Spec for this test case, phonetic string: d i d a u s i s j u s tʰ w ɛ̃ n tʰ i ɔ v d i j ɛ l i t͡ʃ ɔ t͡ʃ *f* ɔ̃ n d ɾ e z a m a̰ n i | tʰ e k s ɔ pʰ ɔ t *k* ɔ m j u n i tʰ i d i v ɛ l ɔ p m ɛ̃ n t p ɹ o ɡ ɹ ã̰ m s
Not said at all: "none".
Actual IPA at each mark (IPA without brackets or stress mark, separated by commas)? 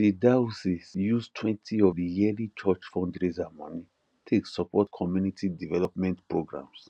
f, kʰ